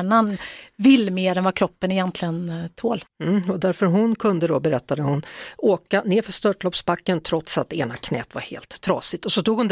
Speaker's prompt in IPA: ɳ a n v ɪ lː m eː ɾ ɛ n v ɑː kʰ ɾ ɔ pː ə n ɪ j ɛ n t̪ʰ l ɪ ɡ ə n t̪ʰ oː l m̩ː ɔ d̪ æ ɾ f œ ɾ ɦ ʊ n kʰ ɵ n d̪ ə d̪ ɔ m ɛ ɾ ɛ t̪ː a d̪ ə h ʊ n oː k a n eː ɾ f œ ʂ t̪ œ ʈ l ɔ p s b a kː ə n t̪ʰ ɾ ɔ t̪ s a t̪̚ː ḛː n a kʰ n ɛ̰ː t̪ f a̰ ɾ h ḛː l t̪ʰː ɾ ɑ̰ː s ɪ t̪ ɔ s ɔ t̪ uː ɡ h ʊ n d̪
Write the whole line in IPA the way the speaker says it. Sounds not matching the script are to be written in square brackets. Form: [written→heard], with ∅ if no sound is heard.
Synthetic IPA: ɳ a n v ɪ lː m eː ɾ ɛ n v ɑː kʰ ɾ ɔ pː ə n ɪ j ɛ n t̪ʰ l ɪ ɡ ə n t̪ʰ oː l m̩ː ɔ d̪ æ ɾ f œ ɾ ɦ ʊ n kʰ ɵ n d̪ ə d̪ ɔ [m→b] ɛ ɾ ɛ t̪ː a d̪ ə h ʊ n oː k a n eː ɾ f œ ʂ t̪ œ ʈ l ɔ p s b a kː ə n t̪ʰ ɾ ɔ t̪ s a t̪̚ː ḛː n a kʰ n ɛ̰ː t̪ [f→v] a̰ ɾ h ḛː l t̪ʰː ɾ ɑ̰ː s ɪ t̪ ɔ s ɔ t̪ uː ɡ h ʊ n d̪